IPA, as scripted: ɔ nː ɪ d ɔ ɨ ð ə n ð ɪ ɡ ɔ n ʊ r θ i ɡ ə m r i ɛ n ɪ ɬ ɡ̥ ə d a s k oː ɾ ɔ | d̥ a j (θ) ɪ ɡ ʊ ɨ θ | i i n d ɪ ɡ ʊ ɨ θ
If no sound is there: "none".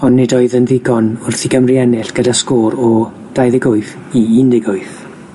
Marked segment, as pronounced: ð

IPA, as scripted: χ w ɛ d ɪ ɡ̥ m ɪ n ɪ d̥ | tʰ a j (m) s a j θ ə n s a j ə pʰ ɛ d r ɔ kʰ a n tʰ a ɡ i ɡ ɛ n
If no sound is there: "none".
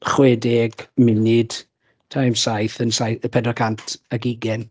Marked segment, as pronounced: m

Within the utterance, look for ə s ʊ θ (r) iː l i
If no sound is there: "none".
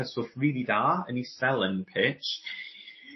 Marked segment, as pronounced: ɹ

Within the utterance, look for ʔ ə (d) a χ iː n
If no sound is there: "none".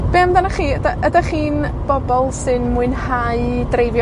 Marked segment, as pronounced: d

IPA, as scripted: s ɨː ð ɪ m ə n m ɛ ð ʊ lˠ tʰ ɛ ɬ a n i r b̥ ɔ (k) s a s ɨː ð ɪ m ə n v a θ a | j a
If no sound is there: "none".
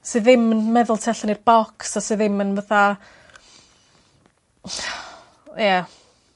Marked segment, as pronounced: k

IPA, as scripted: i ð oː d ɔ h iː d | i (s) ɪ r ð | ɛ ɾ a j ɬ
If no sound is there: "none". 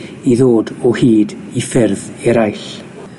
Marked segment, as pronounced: f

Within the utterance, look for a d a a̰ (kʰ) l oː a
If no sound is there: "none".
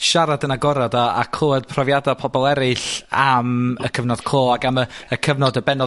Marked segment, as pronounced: kʰ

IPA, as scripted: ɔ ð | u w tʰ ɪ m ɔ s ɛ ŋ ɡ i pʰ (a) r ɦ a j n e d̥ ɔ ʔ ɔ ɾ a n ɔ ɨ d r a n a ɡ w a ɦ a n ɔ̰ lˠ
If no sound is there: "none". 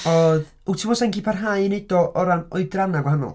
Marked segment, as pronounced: a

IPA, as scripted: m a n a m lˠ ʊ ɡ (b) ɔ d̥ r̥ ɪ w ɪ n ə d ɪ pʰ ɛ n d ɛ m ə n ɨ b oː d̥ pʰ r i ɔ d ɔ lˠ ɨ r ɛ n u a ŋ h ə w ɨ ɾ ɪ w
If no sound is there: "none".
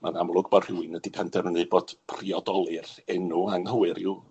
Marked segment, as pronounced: b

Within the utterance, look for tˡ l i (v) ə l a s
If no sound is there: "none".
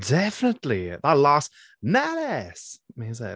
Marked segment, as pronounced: ð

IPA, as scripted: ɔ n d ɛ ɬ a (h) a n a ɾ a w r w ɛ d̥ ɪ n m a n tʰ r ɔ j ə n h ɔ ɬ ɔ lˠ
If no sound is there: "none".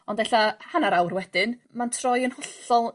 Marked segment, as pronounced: h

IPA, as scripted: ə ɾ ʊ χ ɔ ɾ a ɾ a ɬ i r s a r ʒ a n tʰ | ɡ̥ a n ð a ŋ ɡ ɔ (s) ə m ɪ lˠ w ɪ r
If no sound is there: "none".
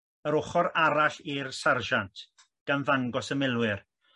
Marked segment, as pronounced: s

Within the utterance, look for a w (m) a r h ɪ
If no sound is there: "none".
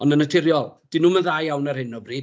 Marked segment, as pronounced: n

